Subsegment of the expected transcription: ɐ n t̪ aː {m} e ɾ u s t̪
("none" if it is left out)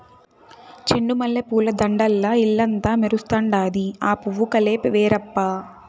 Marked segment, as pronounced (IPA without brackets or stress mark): m